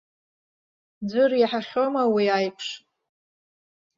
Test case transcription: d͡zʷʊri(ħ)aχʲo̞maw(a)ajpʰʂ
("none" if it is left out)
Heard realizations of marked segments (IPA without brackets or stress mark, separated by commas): ħ, i